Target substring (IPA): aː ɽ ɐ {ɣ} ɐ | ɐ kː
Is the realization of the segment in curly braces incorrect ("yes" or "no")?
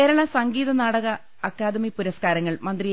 no